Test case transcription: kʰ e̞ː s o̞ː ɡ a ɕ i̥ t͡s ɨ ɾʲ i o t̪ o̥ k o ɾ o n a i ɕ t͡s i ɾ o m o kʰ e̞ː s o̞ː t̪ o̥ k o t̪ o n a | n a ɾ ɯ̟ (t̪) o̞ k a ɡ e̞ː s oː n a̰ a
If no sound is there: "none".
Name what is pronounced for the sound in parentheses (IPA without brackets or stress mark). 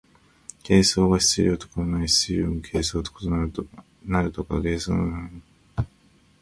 t̪